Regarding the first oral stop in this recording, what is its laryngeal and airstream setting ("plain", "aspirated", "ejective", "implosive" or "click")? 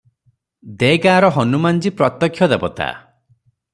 plain